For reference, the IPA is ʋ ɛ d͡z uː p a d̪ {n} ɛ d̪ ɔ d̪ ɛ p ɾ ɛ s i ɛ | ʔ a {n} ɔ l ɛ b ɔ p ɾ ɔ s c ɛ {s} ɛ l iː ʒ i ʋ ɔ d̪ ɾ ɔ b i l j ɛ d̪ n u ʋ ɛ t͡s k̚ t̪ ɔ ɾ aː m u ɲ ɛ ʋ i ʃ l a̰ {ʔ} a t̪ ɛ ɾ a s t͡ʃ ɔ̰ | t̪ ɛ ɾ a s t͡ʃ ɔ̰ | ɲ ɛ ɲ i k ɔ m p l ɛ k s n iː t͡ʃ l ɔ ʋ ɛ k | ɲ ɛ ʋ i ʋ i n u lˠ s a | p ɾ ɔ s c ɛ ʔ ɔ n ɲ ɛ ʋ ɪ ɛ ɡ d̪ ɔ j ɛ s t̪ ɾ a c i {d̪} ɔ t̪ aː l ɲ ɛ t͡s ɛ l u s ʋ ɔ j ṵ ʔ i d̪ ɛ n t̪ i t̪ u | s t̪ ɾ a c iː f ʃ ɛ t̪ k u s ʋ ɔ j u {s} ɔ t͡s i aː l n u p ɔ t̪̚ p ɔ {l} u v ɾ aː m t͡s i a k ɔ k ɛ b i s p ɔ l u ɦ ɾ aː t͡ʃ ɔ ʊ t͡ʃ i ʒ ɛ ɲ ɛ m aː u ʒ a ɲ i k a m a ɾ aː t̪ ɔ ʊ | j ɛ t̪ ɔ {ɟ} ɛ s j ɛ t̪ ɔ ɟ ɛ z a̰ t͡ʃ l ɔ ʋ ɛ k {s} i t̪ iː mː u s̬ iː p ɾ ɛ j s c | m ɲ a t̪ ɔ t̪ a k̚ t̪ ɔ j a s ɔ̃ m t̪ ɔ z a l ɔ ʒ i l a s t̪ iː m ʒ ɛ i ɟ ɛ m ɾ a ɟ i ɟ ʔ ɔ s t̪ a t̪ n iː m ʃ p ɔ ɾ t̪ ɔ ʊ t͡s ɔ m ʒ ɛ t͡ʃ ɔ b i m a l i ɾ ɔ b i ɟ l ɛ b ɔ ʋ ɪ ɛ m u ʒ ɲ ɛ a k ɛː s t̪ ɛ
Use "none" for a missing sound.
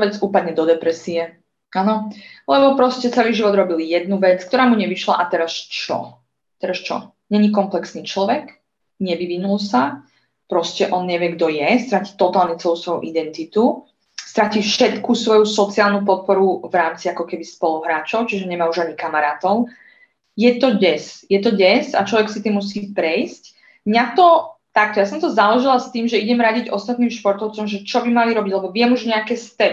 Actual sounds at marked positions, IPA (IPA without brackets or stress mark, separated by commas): ɲ, n, t͡s, ʔ, t̪, s, ɾ, ɟ, s